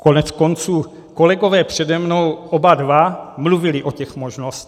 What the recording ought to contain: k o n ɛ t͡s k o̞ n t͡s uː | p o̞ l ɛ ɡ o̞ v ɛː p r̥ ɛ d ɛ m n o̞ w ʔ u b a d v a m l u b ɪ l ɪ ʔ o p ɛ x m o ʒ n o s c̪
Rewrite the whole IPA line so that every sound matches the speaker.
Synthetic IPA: k o n ɛ t͡s k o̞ n t͡s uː | k o̞ l ɛ ɡ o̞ v ɛː p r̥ ɛ d ɛ m n o̞ w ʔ o b a d v a m l u v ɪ l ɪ ʔ o c ɛ x m o ʒ n o s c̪